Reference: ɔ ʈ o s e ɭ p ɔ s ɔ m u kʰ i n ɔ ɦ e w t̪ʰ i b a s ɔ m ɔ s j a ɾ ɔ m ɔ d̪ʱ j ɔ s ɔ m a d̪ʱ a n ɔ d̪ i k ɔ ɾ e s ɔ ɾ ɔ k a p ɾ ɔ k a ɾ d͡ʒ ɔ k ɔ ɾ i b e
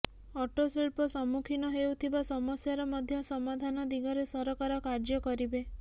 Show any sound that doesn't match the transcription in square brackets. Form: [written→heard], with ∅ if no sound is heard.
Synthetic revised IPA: ɔ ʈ o s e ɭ p ɔ s ɔ m u kʰ i n ɔ ɦ e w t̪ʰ i b a s ɔ m ɔ s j a ɾ ɔ m ɔ d̪ʱ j ɔ s ɔ m a d̪ʱ a n ɔ d̪ i [k→ɡ] ɔ ɾ e s ɔ ɾ ɔ k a [p→∅] ɾ ɔ k a ɾ d͡ʒ ɔ k ɔ ɾ i b e